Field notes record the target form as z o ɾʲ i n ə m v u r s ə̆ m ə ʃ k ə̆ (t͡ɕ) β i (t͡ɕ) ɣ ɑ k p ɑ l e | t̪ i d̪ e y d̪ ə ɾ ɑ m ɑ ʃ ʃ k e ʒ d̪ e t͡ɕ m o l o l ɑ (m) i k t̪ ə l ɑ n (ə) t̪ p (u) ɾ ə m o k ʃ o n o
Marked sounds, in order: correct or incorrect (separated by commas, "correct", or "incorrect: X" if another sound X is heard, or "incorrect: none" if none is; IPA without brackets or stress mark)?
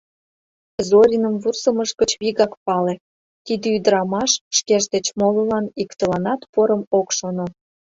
correct, incorrect: none, incorrect: n, incorrect: ɑ, incorrect: o